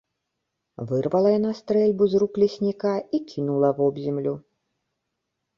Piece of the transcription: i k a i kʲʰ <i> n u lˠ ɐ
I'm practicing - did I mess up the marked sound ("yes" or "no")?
no